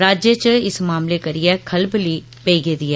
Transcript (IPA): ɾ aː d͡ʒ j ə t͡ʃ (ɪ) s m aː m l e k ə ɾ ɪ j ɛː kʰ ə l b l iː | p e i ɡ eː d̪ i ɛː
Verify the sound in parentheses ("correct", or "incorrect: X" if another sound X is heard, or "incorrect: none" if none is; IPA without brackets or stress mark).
correct